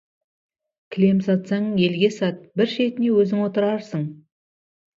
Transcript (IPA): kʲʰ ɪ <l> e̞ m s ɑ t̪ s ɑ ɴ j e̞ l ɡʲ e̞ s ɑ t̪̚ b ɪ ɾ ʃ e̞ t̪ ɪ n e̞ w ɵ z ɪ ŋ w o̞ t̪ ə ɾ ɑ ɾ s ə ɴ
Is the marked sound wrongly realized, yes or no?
no